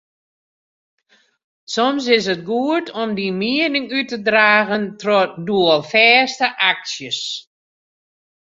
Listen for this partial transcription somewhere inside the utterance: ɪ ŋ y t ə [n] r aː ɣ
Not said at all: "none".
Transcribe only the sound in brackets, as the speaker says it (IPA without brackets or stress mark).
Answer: d